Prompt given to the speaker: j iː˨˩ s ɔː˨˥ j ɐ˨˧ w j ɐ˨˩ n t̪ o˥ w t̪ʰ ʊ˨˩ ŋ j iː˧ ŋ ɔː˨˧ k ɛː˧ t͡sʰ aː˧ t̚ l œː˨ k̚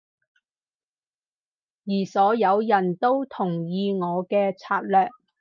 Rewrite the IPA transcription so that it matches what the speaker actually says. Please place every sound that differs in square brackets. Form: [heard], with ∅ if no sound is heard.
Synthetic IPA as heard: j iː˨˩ s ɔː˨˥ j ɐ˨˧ w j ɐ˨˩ n t̪ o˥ w t̪ʰ ʊ˨˩ ŋ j iː˧ ŋ ɔː˨˧ k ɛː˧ t͡sʰ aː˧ t̚ l œː˨ k̚